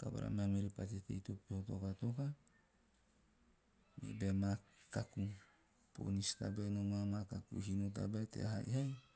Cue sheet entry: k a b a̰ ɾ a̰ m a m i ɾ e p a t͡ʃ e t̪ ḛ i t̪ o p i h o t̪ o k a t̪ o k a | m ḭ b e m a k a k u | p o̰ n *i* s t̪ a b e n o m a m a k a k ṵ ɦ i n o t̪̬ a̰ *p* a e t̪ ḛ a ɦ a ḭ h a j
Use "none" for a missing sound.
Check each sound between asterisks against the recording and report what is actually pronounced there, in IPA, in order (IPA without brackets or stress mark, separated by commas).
i, b